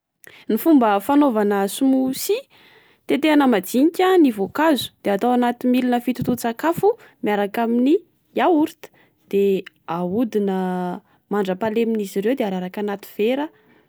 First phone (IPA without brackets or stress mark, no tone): n